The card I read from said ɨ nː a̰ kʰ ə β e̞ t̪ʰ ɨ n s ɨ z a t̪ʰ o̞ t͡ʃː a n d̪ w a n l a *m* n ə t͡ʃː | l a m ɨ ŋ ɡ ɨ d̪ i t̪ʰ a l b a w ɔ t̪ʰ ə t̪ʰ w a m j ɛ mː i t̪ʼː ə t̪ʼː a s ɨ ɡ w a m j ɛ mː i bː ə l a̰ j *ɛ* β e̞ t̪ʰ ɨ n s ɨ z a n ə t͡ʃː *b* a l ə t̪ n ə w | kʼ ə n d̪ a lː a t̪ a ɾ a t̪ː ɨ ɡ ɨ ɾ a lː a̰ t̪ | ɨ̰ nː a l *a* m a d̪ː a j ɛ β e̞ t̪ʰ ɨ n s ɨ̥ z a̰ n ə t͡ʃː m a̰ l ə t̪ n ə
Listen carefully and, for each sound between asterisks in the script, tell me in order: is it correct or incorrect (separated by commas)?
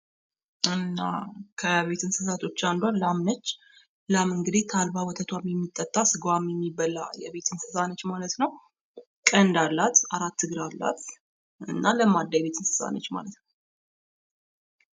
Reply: correct, correct, incorrect, incorrect